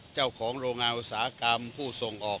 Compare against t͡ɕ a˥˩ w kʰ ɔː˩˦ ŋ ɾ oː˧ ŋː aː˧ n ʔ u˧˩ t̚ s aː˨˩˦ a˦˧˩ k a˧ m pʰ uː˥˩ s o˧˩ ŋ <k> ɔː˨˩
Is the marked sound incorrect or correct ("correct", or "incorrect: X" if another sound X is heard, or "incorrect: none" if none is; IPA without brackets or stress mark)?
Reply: incorrect: ʔ